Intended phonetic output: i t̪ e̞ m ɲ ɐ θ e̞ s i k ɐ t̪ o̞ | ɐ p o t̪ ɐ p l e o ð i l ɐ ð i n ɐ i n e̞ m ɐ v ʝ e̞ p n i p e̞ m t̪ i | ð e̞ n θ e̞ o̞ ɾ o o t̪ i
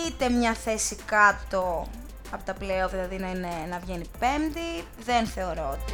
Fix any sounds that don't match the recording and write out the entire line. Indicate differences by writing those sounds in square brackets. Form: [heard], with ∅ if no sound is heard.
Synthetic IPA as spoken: i t̪ e̞ m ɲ ɐ θ e̞ s i k ɐ t̪ o̞ | ɐ p o t̪ ɐ p l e o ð i l ɐ ð i n ɐ i n e̞ [n] ɐ v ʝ e̞ [∅] n i p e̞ m [d̪] i | ð e̞ n θ e̞ o̞ ɾ o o t̪ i